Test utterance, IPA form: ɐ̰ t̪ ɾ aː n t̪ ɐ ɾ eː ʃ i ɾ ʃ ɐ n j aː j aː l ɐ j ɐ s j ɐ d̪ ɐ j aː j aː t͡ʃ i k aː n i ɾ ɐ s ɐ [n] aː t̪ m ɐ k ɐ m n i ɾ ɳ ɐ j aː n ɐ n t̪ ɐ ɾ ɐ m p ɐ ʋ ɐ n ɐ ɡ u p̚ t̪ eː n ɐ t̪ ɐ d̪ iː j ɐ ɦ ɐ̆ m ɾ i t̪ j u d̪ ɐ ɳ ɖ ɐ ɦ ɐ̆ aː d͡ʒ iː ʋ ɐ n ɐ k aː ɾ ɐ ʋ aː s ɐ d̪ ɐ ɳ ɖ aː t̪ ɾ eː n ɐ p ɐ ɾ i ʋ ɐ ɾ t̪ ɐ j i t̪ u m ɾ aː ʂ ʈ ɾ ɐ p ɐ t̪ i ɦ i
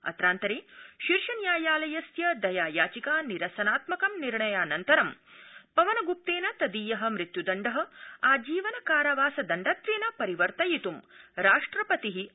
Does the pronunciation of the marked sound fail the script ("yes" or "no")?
no